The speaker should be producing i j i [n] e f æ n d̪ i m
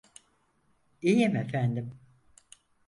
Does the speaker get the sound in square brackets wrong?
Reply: yes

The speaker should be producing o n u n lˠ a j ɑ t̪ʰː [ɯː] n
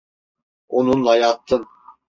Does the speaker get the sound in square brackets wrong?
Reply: yes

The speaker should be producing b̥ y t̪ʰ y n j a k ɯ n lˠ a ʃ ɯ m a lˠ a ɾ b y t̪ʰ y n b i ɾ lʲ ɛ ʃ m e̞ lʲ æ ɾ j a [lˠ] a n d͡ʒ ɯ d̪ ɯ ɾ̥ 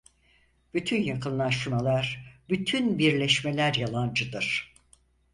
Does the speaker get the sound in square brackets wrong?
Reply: no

